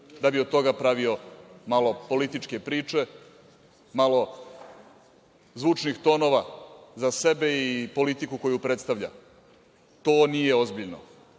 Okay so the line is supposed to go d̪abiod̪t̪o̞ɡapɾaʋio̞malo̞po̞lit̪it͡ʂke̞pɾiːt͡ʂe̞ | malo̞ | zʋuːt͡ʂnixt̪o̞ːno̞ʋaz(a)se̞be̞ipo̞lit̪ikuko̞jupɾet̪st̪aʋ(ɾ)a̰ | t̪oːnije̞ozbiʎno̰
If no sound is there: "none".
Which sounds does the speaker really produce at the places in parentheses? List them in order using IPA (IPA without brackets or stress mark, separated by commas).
a, ʎ